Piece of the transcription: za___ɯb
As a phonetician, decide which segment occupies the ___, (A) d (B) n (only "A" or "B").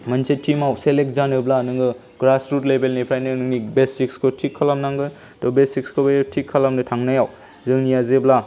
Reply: B